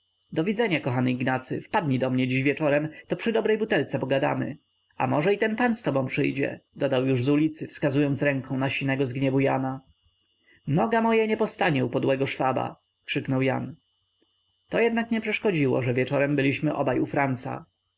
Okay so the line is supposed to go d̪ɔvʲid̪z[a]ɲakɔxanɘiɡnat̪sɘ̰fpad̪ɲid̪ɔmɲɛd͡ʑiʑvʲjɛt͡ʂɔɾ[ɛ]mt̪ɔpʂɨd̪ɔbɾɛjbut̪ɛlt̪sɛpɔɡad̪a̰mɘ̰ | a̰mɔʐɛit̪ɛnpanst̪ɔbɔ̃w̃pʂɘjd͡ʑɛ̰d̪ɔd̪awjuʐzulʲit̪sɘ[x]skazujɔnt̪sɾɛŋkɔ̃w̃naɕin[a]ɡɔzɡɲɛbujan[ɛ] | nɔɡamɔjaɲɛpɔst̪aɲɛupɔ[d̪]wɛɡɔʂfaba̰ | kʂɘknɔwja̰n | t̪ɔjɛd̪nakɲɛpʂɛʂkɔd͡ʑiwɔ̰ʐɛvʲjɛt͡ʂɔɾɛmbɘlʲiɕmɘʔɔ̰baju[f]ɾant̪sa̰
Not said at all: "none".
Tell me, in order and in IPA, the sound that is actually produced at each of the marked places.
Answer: ɛ, ɛ, f, ɛ, a, d̪, f

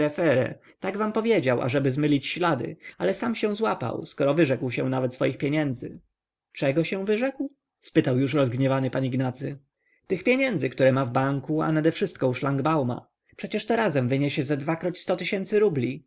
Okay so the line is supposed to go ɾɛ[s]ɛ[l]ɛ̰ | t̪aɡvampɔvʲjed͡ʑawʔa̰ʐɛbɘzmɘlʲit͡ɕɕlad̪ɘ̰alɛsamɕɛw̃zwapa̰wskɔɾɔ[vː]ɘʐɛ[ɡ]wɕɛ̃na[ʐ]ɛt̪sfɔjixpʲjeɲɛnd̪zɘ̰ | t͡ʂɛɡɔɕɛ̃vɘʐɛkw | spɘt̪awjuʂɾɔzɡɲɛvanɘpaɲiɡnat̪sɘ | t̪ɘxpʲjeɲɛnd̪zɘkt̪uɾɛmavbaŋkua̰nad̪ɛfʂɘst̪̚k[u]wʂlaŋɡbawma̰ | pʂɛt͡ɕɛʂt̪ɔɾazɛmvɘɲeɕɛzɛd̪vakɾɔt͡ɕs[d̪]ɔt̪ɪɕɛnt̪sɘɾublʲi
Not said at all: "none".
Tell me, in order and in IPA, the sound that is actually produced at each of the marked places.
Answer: f, ɾ, v, k, v, ɔ, t̪

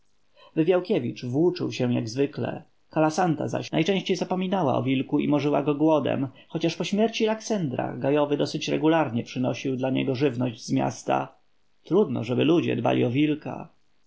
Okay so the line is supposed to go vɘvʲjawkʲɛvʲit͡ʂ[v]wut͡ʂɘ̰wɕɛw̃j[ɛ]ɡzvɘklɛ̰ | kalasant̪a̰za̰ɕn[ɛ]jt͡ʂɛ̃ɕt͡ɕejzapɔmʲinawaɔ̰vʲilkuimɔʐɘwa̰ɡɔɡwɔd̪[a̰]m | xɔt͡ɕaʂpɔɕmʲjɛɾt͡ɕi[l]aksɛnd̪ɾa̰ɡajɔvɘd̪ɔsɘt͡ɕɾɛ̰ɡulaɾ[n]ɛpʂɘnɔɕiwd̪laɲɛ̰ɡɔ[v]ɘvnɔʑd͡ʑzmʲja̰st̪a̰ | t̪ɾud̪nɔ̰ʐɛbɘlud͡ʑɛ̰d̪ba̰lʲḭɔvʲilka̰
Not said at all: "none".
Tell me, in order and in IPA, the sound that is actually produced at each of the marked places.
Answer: v, a, a, ɛ̰, l, ɲ, ʐ

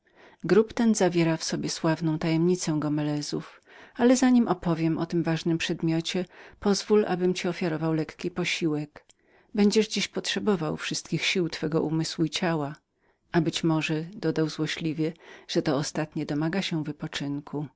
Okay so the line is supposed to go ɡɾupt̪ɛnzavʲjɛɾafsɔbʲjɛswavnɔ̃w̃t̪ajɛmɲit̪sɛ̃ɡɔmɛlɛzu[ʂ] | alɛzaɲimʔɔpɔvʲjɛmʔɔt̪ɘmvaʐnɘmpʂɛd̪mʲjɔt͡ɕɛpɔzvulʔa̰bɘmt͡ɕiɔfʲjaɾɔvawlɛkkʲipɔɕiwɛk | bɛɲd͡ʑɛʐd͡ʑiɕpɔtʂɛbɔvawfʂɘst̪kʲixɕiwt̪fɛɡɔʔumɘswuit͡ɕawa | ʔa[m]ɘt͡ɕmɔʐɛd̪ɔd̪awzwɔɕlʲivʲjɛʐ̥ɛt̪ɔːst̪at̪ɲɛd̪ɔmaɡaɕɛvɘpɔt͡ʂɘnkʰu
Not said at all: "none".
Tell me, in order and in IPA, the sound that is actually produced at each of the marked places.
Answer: f, b

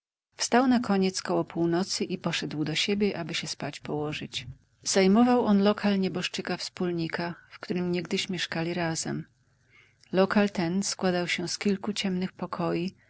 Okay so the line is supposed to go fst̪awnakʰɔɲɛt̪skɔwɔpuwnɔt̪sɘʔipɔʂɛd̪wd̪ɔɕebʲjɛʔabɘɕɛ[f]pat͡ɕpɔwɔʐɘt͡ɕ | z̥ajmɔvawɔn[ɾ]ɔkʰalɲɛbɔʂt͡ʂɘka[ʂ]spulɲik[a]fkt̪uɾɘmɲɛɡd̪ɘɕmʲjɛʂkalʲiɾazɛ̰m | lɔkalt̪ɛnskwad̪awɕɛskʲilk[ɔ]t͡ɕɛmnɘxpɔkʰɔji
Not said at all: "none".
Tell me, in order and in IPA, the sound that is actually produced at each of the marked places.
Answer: s, l, f, a, u

